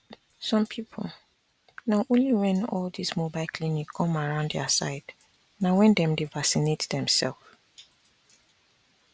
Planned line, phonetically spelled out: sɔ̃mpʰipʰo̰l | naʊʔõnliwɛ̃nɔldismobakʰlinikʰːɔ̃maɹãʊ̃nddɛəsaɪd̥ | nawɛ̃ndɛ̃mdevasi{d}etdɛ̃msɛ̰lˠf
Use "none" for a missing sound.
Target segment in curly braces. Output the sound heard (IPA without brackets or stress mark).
n